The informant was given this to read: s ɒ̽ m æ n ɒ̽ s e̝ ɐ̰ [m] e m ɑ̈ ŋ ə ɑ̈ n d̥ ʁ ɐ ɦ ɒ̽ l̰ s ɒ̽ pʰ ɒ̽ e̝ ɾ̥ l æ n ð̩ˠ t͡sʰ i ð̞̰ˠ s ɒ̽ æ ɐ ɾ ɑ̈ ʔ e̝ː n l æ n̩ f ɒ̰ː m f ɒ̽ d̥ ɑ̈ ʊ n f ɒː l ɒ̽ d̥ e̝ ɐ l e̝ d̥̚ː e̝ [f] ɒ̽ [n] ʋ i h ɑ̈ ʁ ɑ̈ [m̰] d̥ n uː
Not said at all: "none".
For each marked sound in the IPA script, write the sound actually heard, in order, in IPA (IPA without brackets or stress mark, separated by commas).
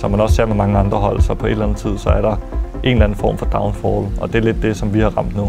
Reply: m, s, m, m̰